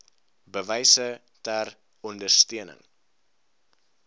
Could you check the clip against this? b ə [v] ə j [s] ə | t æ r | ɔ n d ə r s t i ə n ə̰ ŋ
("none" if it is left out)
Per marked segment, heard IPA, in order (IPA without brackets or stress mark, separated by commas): v, s